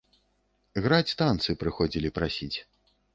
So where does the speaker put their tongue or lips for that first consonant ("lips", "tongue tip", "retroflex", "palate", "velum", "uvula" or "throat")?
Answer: velum